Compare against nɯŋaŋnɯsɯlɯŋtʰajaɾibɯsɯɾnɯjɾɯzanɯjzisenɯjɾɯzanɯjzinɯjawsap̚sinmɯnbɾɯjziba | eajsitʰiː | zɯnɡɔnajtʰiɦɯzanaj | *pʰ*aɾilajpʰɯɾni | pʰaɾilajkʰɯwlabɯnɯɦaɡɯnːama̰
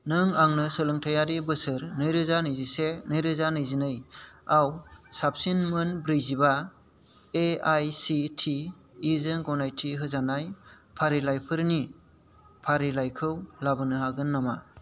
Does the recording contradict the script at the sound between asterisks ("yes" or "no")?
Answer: no